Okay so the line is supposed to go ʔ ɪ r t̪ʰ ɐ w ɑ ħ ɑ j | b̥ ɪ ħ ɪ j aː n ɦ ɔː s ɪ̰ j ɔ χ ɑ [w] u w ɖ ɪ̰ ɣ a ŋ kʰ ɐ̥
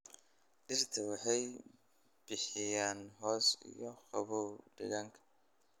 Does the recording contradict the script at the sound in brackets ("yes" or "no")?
yes